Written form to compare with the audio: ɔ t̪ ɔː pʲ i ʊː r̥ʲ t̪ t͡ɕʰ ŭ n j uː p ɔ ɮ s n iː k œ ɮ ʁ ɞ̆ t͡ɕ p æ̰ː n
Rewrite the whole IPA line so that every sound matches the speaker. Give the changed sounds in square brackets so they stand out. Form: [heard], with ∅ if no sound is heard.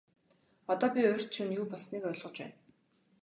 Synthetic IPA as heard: ɔ t̪ ɔː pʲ i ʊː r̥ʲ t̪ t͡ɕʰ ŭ n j uː p ɔ ɮ s n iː k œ ɮ ʁ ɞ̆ t͡ɕ p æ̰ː n